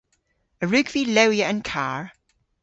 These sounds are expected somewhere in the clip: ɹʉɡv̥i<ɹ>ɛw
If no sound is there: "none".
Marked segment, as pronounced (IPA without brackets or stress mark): l